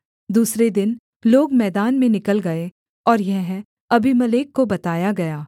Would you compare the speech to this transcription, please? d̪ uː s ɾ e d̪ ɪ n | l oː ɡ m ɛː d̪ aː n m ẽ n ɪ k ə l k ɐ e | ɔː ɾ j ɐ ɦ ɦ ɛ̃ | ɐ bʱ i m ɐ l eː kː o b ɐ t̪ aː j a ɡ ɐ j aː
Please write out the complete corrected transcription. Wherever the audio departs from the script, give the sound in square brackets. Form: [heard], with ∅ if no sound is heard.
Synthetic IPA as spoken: d̪ uː s ɾ e d̪ ɪ n | l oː ɡ m ɛː d̪ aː n m ẽ n ɪ k ə l [ɡ] ɐ e | ɔː ɾ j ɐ ɦ ɦ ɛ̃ | ɐ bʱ i m ɐ l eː kː o b ɐ t̪ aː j a ɡ ɐ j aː